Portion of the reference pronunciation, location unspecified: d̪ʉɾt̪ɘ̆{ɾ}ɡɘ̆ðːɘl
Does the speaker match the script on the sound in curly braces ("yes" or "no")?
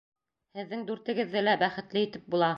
no